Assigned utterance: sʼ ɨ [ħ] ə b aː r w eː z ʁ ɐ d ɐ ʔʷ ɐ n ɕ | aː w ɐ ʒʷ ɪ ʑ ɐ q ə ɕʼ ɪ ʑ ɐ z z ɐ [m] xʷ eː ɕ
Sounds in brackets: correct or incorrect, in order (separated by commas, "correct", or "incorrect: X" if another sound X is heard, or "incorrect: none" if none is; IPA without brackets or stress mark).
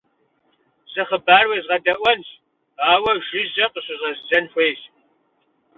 incorrect: χ, incorrect: n